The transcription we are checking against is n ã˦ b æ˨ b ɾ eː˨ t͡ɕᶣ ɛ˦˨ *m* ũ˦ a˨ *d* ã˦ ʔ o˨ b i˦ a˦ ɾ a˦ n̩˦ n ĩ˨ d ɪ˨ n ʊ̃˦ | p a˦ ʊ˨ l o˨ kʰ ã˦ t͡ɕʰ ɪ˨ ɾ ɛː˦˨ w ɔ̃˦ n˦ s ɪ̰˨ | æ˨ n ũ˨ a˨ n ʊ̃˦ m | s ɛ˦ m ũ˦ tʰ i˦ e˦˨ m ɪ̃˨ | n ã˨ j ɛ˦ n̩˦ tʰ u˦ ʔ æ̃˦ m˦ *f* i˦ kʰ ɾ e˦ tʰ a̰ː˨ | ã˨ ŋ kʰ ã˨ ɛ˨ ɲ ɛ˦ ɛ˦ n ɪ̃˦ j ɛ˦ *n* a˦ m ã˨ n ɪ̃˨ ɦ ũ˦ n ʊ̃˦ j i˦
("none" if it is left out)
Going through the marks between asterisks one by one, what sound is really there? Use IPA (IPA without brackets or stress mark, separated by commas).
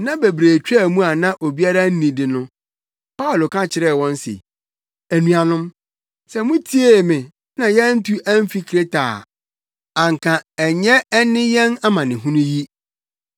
m, n, f, n